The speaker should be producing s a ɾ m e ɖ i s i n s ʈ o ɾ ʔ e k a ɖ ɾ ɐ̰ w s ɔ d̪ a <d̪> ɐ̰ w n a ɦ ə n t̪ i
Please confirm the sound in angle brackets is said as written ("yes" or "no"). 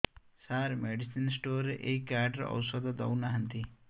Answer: yes